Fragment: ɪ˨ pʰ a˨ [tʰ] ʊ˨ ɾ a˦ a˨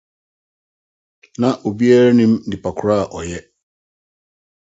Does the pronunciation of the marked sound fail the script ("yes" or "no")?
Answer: yes